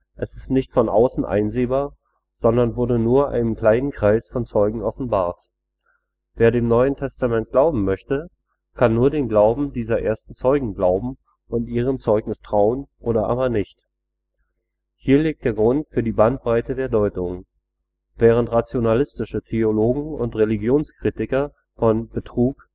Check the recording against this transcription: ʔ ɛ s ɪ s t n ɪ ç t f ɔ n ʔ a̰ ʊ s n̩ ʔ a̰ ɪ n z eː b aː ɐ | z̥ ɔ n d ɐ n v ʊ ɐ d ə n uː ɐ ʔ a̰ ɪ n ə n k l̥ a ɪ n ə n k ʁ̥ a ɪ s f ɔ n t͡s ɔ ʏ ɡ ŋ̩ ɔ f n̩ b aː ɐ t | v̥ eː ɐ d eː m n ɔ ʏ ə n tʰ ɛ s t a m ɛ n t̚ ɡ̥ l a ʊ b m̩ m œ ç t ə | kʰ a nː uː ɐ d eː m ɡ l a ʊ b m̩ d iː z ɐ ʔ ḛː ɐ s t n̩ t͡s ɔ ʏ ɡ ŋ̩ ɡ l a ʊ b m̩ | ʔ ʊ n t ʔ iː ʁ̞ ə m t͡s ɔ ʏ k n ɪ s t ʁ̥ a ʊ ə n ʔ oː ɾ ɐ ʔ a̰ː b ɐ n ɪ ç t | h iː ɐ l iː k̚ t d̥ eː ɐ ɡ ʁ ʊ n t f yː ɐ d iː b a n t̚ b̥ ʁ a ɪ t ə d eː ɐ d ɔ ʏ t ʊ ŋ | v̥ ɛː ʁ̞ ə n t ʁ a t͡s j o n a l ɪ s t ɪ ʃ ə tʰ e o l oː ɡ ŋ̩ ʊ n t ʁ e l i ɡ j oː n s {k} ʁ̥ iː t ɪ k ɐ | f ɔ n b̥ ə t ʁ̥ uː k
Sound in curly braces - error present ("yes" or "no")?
no